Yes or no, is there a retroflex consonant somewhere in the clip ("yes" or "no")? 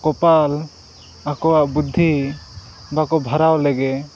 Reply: no